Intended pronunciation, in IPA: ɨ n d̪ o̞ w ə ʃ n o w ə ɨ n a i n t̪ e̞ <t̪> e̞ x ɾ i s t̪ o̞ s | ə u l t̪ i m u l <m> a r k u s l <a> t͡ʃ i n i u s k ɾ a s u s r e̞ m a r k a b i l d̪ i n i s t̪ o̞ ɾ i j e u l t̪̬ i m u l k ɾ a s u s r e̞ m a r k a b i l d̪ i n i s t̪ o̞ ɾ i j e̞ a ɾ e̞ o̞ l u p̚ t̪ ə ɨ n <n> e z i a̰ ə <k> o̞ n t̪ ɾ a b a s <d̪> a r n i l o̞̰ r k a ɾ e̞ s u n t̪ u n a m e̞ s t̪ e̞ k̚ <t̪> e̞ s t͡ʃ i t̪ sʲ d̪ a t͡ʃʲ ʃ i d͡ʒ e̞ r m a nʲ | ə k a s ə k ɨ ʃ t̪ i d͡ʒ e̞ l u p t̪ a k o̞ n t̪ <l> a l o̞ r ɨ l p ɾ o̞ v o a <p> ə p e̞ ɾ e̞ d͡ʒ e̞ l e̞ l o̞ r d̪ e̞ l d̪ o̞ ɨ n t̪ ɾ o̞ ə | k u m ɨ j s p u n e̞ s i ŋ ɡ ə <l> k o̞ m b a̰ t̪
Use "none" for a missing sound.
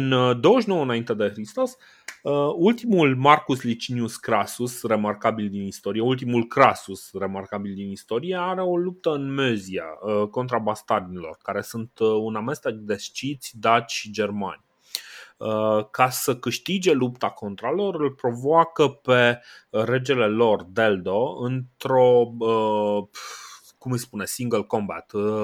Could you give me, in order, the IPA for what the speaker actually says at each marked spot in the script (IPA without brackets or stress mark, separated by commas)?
d̪, m, i, m, k, t̪, d̪, ɾ, k, l